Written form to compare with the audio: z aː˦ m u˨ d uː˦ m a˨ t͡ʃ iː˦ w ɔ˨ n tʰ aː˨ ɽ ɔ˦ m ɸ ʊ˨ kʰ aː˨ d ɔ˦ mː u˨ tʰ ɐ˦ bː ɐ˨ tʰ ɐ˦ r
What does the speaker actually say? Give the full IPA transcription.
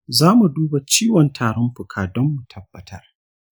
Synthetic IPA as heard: z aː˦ m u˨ d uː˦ b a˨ t͡ʃ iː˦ w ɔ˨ n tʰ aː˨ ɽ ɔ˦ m ɸ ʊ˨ kʰ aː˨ d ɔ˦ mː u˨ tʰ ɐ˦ bː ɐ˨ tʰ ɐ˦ r

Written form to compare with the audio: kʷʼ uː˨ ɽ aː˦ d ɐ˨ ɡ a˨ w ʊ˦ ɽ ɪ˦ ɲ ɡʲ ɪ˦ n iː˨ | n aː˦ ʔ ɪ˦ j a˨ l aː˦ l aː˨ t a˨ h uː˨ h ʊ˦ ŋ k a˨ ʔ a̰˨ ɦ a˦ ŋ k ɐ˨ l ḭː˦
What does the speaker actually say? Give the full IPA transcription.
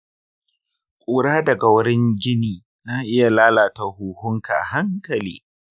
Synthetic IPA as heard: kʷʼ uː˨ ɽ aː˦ d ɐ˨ ɡ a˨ w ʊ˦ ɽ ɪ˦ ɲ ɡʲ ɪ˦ n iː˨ | n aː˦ ʔ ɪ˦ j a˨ l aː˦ l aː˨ t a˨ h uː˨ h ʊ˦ ŋ k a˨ ʔ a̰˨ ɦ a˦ ŋ k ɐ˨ l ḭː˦

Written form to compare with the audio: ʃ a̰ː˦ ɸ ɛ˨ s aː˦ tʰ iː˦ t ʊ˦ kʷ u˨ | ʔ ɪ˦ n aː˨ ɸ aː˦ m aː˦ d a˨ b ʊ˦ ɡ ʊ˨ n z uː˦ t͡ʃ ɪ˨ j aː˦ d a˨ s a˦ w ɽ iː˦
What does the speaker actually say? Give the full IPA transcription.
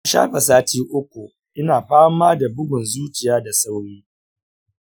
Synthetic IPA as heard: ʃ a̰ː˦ ɸ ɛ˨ s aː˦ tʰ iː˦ ʔ ʊ˦ kʷ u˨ | ʔ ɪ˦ n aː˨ ɸ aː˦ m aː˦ d a˨ b ʊ˦ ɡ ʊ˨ n z uː˦ t͡ʃ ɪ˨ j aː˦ d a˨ s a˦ w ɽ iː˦

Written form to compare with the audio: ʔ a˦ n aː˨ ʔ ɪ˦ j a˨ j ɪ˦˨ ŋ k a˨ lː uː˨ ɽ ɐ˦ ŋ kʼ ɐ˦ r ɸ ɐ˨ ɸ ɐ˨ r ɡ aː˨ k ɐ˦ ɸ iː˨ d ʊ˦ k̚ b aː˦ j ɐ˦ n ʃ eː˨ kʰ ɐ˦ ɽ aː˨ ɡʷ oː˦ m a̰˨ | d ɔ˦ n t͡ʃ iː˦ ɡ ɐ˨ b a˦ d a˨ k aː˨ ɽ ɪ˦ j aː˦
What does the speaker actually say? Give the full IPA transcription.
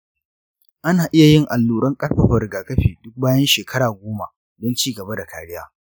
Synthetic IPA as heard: ʔ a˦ n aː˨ ʔ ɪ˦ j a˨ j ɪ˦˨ ŋ ʔ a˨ lː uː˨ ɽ ɐ˦ ŋ kʼ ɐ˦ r ɸ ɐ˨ ɸ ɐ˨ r ɡ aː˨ k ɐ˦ ɸ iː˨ d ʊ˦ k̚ b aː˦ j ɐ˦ n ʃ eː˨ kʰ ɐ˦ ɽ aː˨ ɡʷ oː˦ m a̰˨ | d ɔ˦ n t͡ʃ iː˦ ɡ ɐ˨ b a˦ d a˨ k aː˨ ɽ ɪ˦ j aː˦

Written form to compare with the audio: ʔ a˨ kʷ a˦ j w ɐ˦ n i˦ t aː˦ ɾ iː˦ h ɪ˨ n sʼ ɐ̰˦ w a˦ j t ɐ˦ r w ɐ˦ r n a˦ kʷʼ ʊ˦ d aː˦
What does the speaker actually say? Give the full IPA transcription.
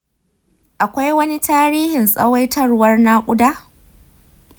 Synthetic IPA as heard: ʔ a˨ kʷ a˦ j w ɐ˦ n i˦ t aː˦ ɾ iː˦ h ɪ˨ n sʼ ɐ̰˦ w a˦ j t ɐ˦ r w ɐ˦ r n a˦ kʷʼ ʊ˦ d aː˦

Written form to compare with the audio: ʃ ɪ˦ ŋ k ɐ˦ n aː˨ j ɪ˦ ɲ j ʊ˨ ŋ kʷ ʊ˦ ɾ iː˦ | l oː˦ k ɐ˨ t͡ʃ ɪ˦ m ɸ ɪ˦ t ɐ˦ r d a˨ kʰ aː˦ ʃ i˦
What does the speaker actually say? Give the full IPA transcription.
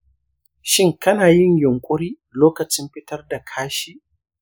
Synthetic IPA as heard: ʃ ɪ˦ ŋ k ɐ˦ n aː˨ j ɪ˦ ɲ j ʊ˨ ŋ kʷʼ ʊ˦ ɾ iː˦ | l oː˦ k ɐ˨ t͡ʃ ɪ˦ m ɸ ɪ˦ t ɐ˦ r d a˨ kʰ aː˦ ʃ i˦

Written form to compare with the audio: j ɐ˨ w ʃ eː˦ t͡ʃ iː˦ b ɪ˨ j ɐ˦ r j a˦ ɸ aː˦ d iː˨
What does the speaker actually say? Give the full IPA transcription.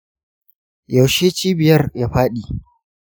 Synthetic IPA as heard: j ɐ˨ w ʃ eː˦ t͡ʃ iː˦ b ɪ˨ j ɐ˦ r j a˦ ɸ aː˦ ɗ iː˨

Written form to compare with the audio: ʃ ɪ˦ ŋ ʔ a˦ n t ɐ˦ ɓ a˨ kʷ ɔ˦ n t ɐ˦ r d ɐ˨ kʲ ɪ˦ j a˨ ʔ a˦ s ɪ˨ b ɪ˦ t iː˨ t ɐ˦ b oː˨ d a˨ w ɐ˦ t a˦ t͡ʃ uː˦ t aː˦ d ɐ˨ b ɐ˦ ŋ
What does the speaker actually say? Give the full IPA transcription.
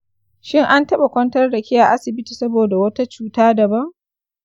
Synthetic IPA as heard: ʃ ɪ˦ ŋ ʔ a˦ n t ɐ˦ ɓ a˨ kʷ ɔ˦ n t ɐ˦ r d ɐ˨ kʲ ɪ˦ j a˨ ʔ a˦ s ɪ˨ b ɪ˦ t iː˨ s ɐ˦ b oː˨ d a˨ w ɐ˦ t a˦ t͡ʃ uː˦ t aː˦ d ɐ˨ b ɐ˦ ŋ

